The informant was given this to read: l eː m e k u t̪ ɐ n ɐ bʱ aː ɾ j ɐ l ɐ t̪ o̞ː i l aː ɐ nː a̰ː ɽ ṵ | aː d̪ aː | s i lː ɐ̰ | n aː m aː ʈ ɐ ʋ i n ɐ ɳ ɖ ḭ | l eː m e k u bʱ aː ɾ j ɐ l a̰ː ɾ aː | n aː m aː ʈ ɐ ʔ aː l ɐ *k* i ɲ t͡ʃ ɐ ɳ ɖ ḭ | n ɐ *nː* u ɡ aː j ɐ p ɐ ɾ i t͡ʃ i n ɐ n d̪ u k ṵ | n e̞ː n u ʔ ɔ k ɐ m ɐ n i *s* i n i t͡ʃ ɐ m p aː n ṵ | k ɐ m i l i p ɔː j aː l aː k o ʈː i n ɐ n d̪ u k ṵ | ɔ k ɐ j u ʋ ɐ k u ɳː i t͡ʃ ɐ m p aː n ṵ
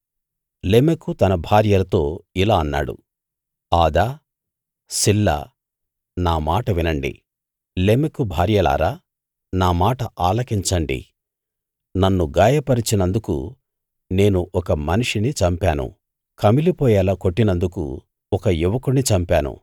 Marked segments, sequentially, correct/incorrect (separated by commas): correct, correct, incorrect